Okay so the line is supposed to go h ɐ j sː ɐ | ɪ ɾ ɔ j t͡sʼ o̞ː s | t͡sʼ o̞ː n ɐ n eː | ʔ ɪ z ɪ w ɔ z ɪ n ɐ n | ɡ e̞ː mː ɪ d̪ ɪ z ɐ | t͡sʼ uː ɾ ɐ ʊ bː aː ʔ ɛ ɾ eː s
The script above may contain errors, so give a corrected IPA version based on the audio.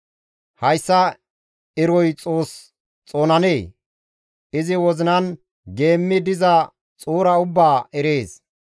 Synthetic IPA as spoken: h ɐ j sː ɐ | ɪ ɾ ɔ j t͡sʼ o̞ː s | t͡sʼ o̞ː n ɐ n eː | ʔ ɪ z ɪ w ɔ z ɪ n ɐ n | ɡ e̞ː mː ɪ d̪ ɪ z ɐ | t͡sʼ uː ɾ ɐ ʊ bː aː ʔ ɛ ɾ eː s